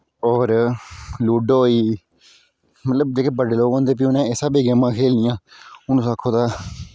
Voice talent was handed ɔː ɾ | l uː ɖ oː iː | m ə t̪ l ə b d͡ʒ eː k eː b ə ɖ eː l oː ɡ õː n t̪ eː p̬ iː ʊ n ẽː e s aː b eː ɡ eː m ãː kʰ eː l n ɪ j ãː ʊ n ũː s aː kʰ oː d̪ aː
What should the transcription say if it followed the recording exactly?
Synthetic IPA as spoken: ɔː ɾ | l uː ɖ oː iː | m ə t̪ l ə b d͡ʒ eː k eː b ə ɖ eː l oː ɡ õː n d̪ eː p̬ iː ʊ n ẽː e s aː b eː ɡ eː m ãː kʰ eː l n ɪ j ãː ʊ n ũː s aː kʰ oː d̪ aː